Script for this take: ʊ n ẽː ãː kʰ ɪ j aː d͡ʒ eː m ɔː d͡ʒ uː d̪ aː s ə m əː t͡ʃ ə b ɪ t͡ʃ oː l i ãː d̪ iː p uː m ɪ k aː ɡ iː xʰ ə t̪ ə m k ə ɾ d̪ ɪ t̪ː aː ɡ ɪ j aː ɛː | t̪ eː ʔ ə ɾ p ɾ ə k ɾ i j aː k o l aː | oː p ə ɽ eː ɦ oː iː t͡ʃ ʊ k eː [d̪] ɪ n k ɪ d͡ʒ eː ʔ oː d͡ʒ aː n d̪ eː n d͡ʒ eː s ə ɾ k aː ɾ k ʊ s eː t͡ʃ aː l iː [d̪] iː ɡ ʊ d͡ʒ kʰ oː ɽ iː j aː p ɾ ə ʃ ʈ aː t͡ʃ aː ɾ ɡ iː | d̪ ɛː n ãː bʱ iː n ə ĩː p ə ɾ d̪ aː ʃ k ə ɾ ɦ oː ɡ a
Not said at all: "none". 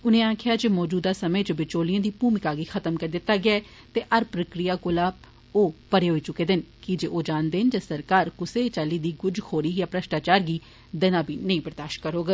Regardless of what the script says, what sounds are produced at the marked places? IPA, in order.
d̪, d̪

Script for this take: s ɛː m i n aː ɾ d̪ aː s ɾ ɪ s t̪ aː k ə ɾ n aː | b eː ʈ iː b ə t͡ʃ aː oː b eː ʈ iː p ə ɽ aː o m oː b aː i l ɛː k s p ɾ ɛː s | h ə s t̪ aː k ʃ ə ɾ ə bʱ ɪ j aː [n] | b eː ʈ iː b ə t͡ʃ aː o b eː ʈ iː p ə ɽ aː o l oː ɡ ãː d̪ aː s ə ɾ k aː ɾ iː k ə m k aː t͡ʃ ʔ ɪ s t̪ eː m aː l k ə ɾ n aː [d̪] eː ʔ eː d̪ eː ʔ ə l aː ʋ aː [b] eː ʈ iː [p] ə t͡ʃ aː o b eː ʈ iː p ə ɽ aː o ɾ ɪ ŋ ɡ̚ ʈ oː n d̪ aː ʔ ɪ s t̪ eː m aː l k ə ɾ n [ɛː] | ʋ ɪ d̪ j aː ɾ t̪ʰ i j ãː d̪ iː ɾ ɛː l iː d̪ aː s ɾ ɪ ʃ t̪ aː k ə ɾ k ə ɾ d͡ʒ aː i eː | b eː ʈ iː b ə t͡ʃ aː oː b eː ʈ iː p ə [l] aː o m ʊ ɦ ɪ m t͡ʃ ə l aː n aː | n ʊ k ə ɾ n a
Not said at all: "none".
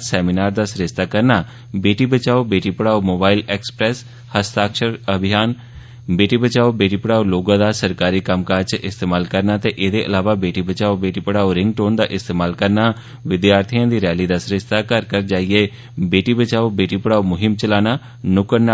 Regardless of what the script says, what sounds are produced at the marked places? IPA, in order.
n, t̪, b, b, aː, ɽ

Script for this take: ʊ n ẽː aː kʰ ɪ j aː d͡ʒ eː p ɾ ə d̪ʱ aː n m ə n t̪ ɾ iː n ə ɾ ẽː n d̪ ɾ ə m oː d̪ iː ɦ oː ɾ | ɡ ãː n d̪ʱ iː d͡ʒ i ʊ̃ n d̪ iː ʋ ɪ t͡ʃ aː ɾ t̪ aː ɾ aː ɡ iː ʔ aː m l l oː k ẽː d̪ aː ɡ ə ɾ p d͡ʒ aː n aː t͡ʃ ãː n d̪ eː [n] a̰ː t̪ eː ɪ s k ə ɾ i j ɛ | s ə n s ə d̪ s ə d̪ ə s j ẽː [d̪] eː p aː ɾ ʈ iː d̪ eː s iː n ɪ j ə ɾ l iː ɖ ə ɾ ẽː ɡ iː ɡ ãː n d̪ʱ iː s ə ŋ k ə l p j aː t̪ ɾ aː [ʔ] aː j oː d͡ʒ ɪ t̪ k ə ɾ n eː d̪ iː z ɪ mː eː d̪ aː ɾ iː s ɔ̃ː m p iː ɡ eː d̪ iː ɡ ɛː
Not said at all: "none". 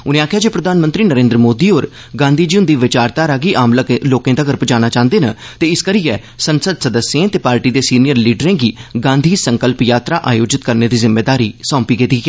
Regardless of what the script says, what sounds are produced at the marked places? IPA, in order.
n, t̪, ʔ

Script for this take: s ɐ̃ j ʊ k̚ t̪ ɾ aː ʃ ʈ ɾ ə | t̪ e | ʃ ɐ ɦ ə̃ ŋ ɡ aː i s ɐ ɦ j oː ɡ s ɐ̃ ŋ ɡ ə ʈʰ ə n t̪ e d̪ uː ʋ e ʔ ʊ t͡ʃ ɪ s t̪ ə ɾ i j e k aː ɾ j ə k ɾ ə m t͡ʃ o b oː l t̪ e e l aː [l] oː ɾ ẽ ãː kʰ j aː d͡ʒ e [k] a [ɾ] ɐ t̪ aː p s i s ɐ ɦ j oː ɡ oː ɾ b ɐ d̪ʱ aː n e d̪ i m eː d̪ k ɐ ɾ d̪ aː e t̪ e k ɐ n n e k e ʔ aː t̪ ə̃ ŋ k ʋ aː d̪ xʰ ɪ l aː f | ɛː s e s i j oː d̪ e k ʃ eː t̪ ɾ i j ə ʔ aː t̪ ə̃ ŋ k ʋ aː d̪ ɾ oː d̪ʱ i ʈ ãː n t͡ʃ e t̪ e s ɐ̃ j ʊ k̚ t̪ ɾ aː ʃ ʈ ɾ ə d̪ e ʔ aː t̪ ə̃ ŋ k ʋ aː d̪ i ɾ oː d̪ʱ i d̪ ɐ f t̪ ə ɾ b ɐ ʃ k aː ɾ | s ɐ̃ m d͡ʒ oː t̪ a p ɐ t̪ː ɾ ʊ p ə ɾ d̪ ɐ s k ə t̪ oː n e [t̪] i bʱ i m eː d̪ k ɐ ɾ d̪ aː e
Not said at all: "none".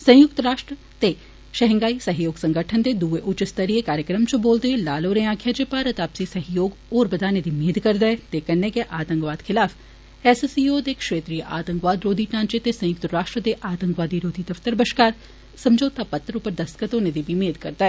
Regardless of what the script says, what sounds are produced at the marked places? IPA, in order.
l, p, ɾ, d̪

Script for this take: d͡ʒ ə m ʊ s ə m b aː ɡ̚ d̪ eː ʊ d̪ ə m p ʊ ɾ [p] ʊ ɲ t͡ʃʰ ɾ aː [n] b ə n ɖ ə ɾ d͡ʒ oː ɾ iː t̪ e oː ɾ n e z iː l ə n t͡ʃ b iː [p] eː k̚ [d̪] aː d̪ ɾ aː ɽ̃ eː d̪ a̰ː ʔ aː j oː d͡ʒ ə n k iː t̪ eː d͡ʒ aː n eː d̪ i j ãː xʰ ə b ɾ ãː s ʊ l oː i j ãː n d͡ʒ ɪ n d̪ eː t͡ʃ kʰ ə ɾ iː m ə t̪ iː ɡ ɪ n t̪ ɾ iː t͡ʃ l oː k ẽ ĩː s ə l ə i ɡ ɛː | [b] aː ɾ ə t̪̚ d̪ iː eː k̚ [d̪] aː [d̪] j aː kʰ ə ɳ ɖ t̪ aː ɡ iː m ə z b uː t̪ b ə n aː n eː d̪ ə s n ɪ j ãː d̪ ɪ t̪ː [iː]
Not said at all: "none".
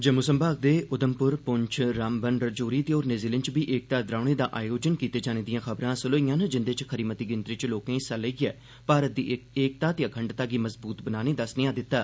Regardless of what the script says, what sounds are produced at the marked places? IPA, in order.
p, m, ʔ, t̪, p, t̪, t̪, aː

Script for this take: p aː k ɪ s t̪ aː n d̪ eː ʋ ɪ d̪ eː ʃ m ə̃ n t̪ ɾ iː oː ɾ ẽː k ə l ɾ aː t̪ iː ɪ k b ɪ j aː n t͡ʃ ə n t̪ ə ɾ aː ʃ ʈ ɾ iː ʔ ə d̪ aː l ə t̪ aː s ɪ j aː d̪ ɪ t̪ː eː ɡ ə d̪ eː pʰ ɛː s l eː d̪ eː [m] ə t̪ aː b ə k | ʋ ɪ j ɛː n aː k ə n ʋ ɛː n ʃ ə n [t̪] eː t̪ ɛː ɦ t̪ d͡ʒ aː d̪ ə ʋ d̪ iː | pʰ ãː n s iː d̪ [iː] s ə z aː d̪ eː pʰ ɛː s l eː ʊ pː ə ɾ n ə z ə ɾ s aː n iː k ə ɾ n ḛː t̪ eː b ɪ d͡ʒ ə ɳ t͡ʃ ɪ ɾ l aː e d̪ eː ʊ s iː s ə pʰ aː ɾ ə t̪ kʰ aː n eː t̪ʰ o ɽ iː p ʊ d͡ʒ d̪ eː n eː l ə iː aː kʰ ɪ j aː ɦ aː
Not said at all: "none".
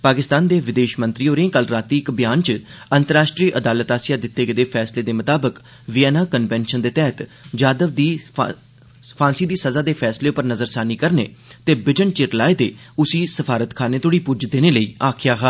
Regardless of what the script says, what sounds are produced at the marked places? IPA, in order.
m, d̪, iː

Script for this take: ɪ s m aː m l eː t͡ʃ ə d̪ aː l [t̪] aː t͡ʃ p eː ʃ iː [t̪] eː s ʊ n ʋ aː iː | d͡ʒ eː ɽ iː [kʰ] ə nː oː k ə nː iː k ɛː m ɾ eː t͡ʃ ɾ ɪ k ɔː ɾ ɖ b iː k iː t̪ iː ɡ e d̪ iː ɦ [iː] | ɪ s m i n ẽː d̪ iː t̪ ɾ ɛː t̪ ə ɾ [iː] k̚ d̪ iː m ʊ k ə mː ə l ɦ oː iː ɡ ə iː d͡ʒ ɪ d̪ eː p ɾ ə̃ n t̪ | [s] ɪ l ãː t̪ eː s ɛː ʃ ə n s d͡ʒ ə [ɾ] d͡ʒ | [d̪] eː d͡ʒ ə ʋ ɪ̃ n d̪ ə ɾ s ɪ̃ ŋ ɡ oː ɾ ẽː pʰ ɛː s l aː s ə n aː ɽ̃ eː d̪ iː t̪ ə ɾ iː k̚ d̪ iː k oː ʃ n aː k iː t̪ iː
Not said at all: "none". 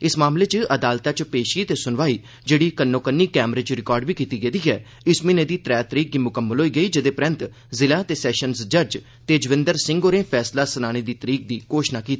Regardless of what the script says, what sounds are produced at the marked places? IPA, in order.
t̪, t̪, k, ɛː, iː, z, ɾ, t̪

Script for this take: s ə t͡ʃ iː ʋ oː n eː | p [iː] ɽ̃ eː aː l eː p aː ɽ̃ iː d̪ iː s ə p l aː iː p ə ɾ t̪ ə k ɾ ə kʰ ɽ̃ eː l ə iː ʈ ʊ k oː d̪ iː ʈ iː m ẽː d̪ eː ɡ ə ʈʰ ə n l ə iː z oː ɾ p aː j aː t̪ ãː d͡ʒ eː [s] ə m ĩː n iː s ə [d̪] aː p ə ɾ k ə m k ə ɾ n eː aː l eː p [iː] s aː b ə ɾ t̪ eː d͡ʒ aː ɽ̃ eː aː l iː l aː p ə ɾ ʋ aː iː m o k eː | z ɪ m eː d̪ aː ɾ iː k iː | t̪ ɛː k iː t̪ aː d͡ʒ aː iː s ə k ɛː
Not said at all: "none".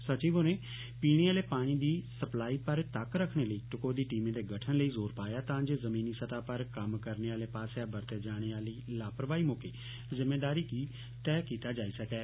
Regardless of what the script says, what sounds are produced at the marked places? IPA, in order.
iː, z, t̪, aː

